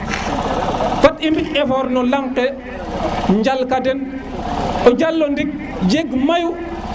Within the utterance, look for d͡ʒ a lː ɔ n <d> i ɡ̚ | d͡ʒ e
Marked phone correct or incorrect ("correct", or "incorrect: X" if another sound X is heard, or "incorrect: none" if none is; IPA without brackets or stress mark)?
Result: correct